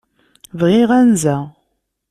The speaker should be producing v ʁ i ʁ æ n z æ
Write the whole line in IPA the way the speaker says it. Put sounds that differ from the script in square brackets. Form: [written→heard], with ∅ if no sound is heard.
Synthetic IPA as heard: v ʁ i ʁ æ n z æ

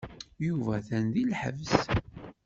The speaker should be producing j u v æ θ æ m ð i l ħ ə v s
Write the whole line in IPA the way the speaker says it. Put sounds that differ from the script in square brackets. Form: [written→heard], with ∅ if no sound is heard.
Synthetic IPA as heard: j u v æ θ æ [m→n] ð i l ħ ə v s

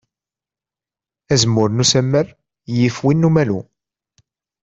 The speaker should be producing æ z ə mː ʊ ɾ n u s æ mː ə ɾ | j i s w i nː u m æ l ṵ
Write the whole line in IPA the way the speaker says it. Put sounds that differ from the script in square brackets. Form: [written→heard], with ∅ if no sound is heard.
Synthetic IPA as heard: æ z ə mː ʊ ɾ n u s æ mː ə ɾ | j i [s→f] w i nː u m æ l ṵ

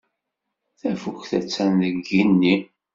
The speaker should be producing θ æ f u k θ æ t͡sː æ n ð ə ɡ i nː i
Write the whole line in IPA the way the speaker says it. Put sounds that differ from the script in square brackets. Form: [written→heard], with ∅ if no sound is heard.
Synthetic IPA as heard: θ æ f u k θ æ t͡sː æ n ð ə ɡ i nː i

